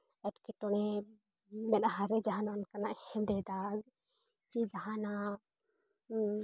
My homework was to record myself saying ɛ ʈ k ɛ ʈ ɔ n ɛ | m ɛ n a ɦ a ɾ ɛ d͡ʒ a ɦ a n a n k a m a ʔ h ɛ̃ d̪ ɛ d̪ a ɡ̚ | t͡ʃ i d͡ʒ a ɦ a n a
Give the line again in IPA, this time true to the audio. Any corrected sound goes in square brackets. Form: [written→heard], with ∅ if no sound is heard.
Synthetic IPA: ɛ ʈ k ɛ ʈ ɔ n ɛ | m ɛ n a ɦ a ɾ ɛ d͡ʒ a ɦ a n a n k a [m→n] a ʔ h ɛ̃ d̪ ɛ d̪ a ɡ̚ | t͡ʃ i d͡ʒ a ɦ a n a